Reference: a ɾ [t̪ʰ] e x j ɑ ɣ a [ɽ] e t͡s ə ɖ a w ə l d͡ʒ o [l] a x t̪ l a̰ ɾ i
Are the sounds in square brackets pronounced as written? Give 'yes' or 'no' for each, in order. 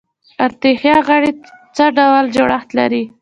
no, yes, no

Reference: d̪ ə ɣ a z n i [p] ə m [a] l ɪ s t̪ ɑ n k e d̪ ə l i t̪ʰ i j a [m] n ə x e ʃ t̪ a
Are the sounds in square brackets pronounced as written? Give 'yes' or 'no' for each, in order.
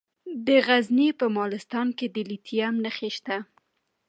yes, no, yes

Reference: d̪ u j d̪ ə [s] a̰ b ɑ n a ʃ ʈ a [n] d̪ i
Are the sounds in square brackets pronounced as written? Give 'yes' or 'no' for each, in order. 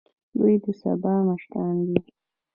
yes, yes

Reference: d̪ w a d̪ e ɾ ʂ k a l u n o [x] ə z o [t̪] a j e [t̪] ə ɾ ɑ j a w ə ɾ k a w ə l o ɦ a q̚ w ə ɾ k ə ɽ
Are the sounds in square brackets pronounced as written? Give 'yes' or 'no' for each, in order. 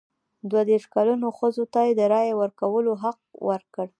yes, yes, no

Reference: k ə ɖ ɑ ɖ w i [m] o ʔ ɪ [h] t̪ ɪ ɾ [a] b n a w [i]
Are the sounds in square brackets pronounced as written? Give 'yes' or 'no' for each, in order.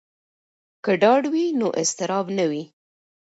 no, no, no, yes

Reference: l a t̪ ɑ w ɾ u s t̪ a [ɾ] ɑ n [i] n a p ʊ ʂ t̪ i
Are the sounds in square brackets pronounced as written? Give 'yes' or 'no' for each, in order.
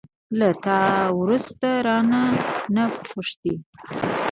yes, no

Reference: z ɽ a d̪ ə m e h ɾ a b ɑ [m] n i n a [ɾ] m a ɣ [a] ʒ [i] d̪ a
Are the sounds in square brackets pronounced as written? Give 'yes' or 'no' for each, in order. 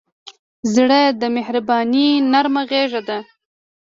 no, yes, no, no

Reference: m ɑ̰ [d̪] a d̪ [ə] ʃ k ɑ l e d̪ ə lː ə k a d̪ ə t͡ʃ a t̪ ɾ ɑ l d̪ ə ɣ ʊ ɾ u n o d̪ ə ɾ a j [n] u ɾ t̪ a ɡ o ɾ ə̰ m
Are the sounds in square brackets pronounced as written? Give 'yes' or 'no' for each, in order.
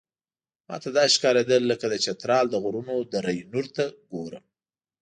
no, no, yes

